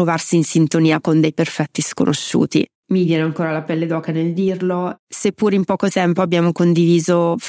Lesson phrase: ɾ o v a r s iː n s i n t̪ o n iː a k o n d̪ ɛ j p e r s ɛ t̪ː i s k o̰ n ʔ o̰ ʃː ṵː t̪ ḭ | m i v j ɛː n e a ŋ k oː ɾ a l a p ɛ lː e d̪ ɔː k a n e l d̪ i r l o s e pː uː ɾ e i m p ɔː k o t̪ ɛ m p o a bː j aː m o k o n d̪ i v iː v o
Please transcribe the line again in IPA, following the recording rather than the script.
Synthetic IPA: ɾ o v a r s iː n s i n t̪ o n iː a k o n d̪ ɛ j p e r f ɛ t̪ː i s k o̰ n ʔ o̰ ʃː ṵː t̪ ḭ | m i v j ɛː n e a ŋ k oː ɾ a l a p ɛ lː e d̪ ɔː k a n e l d̪ i r l o s e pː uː ɾ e i m p ɔː k o t̪ ɛ m p o a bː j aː m o k o n d̪ i v iː z o